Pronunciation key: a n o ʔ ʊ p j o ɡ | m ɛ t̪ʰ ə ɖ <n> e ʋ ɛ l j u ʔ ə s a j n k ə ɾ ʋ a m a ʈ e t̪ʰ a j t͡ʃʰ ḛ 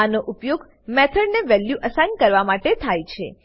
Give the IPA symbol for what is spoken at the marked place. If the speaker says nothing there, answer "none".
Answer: n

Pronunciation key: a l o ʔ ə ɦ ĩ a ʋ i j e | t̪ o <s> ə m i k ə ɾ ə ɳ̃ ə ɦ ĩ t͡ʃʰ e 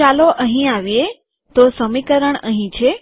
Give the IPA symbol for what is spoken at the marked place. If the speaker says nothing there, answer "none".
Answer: s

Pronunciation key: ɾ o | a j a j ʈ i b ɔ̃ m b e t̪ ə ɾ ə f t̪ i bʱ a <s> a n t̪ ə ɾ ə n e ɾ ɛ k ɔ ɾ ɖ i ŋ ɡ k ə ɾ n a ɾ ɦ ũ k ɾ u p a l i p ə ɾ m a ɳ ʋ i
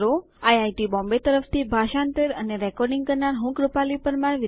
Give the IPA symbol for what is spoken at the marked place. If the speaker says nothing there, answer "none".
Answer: ʃ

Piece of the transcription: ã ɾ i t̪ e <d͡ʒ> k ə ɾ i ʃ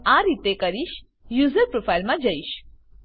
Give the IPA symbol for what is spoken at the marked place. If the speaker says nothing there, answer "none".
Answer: none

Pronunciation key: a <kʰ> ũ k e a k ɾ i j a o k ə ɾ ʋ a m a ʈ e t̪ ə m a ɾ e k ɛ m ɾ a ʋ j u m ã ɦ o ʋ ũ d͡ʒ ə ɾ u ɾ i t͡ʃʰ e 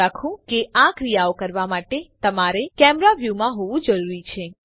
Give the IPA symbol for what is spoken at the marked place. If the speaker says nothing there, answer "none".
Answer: kʰ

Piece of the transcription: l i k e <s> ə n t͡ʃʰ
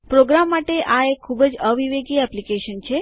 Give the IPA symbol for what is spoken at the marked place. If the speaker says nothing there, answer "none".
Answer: ʃ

